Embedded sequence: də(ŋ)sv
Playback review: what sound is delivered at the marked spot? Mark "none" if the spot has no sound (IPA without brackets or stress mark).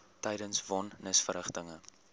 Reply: n